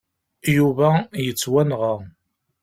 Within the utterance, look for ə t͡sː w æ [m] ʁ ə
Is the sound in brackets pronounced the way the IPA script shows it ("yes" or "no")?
no